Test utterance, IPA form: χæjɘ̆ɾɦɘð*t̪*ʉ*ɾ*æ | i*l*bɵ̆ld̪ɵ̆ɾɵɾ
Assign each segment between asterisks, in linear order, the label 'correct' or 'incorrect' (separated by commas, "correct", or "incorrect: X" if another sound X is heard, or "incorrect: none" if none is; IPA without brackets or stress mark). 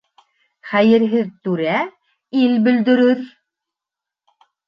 correct, correct, correct